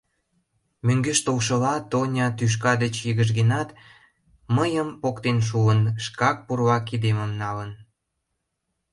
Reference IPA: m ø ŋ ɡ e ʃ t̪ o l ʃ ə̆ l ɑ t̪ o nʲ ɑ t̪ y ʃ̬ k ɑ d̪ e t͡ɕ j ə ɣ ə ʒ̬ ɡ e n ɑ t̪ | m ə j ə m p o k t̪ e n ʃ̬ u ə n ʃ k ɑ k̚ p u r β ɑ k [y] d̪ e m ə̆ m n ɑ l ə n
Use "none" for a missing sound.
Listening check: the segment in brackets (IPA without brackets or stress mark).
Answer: i